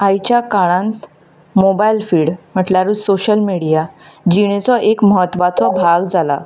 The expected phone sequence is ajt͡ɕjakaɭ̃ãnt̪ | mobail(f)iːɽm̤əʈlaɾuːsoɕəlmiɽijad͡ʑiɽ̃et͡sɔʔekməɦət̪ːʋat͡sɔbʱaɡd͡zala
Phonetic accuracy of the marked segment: correct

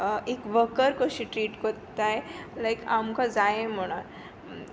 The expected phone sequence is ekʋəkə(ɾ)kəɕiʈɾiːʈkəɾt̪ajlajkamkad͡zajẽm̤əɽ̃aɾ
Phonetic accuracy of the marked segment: correct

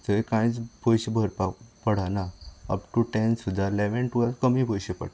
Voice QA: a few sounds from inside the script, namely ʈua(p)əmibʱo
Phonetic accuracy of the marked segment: incorrect: k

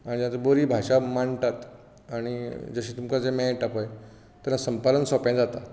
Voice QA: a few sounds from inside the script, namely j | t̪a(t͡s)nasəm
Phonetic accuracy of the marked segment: incorrect: none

